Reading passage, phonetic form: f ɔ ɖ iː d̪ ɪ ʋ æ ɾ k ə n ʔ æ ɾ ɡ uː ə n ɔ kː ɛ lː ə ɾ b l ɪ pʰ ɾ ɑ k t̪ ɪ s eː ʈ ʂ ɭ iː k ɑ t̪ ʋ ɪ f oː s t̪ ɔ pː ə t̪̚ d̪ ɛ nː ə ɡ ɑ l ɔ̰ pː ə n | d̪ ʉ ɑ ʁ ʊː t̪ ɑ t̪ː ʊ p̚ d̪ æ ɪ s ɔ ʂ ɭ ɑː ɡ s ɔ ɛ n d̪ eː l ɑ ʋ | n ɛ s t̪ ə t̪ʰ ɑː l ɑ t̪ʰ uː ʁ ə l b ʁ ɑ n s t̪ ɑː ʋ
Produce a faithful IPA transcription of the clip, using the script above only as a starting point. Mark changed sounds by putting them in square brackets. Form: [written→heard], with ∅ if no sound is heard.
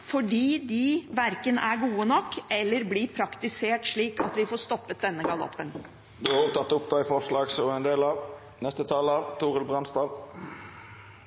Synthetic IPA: f ɔ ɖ iː d̪ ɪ ʋ æ ɾ k ə n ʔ æ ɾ ɡ uː ə n ɔ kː ɛ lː ə ɾ b l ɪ pʰ ɾ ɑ k t̪ ɪ s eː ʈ ʂ ɭ iː k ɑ t̪ ʋ ɪ f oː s t̪ ɔ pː ə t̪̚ d̪ ɛ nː ə ɡ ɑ l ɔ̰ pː ə n | d̪ ʉ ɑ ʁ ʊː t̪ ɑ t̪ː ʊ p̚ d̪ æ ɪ [s→f] ɔ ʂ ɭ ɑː ɡ s ɔ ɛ n d̪ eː l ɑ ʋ | n ɛ s t̪ ə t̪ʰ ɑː l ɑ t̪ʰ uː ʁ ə l b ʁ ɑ n s t̪ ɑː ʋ